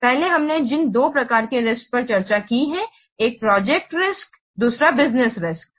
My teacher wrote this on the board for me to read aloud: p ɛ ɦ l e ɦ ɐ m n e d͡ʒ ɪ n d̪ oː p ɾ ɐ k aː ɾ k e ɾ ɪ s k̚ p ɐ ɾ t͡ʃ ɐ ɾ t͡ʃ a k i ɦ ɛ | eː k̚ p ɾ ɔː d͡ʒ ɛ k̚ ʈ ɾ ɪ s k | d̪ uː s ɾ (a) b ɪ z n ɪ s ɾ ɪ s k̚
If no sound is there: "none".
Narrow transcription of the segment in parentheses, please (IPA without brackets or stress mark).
a